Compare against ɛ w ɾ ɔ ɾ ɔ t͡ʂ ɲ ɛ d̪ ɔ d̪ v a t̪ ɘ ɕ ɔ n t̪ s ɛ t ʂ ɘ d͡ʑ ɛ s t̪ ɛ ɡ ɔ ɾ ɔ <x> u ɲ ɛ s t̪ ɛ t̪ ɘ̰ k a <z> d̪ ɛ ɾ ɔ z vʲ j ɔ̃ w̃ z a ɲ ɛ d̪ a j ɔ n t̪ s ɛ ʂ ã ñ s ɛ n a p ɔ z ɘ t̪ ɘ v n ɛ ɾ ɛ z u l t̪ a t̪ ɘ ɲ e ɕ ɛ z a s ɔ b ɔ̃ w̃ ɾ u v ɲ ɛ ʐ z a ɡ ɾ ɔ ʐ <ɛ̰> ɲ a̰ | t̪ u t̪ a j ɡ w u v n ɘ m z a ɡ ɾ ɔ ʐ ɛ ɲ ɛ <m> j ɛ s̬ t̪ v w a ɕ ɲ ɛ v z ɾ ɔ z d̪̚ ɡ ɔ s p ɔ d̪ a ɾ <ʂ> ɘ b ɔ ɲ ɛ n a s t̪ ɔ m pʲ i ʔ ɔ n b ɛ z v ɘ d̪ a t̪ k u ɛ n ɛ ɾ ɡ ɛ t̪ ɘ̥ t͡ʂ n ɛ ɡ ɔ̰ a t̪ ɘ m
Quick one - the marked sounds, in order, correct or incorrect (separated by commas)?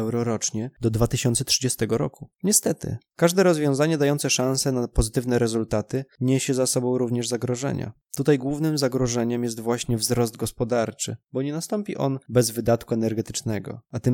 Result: incorrect, incorrect, correct, correct, incorrect